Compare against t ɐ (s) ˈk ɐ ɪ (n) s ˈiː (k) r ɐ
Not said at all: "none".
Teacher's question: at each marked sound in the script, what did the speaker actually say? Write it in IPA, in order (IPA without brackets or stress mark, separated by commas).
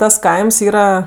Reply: s, m, none